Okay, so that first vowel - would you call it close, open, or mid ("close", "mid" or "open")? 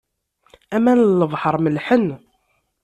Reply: open